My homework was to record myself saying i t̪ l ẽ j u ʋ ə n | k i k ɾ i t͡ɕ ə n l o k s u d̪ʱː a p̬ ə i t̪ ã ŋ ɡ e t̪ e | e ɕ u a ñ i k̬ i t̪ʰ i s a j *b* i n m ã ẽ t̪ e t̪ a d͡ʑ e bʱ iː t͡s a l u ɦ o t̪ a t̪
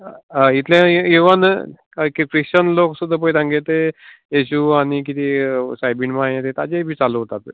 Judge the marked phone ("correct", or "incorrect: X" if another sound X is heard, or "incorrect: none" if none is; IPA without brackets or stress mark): correct